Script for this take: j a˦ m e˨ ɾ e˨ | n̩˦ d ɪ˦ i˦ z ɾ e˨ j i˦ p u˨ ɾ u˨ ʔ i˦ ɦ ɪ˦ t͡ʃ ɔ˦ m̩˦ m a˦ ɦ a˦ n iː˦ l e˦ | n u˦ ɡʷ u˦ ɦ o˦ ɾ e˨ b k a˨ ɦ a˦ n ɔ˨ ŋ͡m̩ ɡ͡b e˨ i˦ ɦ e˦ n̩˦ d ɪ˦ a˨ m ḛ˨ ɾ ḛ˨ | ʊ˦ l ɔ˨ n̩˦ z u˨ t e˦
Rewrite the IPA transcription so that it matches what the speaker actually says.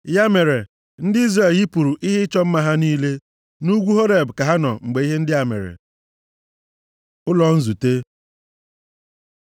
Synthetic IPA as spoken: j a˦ m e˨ ɾ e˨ | n̩˦ d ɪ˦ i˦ z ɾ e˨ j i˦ p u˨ ɾ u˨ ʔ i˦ ɦ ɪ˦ t͡ʃ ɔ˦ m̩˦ m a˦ ɦ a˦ n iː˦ l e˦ | n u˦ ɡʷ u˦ ɦ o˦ ɾ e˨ b k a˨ ɦ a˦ n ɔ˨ ŋ͡m̩ ɡ͡b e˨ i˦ ɦ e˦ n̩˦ d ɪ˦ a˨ m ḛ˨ ɾ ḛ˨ | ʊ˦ l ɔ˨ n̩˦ z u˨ t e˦